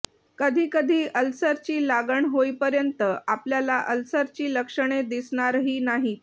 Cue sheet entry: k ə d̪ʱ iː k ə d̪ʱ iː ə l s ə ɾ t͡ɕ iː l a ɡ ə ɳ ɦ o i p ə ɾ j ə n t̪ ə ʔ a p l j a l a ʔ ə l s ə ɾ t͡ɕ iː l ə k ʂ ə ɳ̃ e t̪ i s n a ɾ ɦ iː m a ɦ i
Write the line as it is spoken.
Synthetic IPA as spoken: k ə d̪ʱ iː k ə d̪ʱ iː ə l s ə ɾ t͡ɕ iː l a ɡ ə ɳ ɦ o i p ə ɾ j ə n t̪ ə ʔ a p l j a l a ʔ ə l s ə ɾ t͡ɕ iː l ə k ʂ ə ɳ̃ e d̪ i s ɳ a ɾ ɦ iː n a ɦ i